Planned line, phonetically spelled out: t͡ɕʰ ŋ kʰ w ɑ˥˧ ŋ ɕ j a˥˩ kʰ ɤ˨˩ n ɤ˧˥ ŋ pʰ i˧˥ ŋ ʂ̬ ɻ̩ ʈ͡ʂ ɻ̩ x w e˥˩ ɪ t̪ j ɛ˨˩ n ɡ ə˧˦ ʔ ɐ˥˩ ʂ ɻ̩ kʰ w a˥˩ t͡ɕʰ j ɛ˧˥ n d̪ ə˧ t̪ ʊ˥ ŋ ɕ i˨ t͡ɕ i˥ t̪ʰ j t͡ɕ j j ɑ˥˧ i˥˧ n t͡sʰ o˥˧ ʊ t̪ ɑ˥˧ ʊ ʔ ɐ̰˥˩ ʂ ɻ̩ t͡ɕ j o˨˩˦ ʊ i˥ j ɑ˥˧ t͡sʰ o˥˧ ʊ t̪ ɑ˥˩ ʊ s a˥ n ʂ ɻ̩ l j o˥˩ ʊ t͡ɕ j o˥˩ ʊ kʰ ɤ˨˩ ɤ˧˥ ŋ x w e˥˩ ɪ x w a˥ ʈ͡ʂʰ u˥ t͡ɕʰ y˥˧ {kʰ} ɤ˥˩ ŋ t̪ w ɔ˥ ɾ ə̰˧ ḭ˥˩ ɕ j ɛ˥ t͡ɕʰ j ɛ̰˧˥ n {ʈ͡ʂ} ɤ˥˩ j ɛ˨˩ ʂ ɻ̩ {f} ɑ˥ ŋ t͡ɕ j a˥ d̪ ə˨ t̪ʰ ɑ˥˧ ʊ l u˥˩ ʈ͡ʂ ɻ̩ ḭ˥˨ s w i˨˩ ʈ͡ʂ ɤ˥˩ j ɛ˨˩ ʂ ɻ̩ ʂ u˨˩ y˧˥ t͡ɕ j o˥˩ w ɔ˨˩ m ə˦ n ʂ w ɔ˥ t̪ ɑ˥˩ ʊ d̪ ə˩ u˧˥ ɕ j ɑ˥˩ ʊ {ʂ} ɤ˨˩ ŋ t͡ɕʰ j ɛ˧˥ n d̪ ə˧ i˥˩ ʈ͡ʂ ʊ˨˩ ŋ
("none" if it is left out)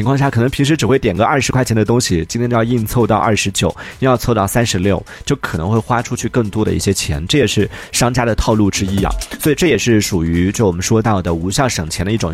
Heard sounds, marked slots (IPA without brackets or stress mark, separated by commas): k, ʈ͡ʂ, ʂ, ʂ